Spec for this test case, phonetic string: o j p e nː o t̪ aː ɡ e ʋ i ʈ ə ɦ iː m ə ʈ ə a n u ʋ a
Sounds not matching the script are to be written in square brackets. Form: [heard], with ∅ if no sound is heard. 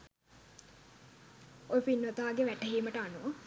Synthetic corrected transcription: o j p [i] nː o t̪ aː ɡ e ʋ [æ] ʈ ə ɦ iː m ə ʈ ə a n u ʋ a